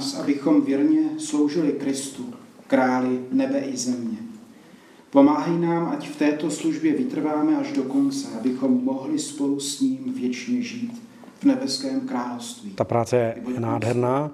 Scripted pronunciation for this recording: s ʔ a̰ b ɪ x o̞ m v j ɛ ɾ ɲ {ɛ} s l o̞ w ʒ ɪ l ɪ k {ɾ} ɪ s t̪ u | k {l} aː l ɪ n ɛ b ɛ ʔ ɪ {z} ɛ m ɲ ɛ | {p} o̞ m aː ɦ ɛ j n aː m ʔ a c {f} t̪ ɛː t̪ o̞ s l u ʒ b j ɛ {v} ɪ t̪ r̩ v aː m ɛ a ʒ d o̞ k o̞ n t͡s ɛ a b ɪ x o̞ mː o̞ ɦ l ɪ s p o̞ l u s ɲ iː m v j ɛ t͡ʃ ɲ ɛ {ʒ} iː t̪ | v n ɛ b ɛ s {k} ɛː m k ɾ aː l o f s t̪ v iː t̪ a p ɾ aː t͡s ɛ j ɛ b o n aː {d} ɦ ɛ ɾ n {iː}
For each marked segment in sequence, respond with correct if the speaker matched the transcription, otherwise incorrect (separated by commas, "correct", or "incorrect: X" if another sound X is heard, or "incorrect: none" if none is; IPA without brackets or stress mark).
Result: correct, correct, incorrect: ɾ, correct, correct, correct, correct, correct, correct, correct, incorrect: aː